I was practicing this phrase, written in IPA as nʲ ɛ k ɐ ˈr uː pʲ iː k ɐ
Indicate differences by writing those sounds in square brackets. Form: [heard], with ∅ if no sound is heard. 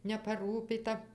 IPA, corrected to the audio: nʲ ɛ [p] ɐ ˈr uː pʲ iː [t] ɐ